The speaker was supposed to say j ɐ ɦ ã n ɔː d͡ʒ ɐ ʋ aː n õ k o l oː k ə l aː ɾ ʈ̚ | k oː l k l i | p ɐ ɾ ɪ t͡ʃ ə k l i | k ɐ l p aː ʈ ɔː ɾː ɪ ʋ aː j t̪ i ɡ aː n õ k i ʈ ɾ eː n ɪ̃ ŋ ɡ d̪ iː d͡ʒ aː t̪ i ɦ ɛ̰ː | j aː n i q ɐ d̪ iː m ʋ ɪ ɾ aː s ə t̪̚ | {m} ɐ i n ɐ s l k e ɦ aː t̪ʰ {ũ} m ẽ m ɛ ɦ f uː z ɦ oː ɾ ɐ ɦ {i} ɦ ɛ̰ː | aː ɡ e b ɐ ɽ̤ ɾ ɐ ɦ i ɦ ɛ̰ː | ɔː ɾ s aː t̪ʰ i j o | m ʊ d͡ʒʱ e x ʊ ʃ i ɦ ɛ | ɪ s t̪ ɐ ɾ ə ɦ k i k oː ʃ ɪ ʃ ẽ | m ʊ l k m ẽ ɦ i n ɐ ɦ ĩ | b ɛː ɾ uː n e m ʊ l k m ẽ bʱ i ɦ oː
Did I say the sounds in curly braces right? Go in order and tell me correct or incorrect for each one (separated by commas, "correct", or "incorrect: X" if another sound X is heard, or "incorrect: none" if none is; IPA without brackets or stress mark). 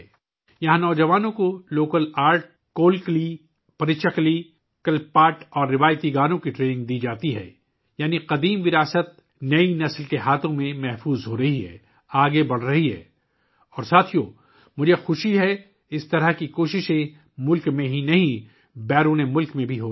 incorrect: n, incorrect: õ, correct